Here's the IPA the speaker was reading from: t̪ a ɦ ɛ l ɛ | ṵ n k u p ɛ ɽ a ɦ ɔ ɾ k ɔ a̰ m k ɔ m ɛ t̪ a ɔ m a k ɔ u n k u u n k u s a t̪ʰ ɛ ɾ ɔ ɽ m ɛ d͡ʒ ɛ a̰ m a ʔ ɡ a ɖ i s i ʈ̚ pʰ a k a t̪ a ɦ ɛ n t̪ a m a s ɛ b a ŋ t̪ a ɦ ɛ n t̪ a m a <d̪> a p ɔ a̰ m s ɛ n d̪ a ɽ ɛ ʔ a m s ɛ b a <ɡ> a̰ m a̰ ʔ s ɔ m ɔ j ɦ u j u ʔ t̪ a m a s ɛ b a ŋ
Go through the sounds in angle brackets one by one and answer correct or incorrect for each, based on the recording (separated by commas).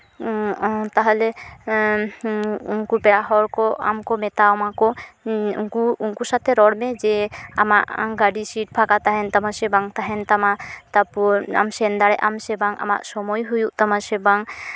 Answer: incorrect, incorrect